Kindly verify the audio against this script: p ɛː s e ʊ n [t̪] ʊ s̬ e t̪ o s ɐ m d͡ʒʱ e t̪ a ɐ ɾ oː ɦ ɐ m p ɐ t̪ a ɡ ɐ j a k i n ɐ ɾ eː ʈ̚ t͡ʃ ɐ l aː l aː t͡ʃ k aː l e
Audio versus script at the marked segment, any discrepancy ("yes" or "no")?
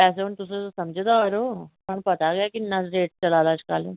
no